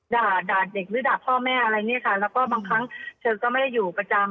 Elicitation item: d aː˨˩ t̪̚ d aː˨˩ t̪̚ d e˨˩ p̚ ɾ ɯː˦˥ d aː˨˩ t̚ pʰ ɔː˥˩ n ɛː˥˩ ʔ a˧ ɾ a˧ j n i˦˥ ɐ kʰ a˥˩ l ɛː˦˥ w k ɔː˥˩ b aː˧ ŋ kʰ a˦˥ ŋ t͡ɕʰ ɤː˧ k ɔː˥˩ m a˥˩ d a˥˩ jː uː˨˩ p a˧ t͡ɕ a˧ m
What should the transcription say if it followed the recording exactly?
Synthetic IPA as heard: d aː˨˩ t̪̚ d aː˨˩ t̪̚ d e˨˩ k̚ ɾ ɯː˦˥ d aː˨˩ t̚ pʰ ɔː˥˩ m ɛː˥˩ ʔ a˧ ɾ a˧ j n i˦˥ ɐ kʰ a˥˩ l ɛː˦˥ w k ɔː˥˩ b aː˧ ŋ kʰ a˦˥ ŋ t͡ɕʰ ɤː˧ k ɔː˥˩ m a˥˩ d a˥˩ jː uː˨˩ p a˧ t͡ɕ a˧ m

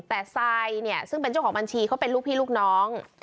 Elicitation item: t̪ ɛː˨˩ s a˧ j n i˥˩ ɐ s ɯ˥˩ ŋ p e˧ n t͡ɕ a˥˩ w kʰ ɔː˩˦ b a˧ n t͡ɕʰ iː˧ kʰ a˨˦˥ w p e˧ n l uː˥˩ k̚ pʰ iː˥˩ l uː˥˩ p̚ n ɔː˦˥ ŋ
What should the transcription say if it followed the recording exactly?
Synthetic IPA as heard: t̪ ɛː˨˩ s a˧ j n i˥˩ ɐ s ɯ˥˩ ŋ p e˧ n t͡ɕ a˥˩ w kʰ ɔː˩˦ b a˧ n t͡ɕʰ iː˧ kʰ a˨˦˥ w p e˧ n l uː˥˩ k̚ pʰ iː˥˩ l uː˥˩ k̚ n ɔː˦˥ ŋ

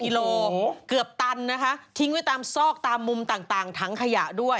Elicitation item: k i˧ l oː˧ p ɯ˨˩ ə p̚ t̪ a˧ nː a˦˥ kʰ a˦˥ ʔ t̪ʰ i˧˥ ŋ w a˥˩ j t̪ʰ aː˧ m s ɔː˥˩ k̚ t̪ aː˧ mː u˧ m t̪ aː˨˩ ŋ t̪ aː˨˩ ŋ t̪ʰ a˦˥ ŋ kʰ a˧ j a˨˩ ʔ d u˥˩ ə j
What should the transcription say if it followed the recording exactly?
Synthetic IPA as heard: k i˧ l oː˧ k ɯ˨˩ ə p̚ t̪ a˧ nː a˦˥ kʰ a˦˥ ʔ t̪ʰ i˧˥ ŋ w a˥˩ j t̪ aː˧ m s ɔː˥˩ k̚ t̪ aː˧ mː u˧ m t̪ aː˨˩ ŋ t̪ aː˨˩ ŋ t̪ʰ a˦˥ ŋ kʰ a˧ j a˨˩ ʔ d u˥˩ ə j

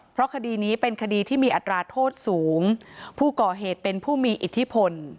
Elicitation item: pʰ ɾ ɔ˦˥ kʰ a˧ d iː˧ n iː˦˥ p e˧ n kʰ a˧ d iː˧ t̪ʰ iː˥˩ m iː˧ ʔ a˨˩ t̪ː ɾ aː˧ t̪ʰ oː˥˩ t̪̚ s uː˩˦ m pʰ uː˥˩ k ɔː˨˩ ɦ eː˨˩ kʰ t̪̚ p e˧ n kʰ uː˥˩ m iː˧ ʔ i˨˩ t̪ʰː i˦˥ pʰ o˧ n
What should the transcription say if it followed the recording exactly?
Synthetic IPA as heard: pʰ ɾ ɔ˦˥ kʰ a˧ d iː˧ n iː˦˥ p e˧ n kʰ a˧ d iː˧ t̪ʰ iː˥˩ m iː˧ ʔ a˨˩ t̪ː ɾ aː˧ t̪ʰ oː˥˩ t̪̚ s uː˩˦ ŋ pʰ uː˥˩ k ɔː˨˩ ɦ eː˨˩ t̪̚ p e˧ n pʰ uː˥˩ m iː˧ ʔ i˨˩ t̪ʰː i˦˥ pʰ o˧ n

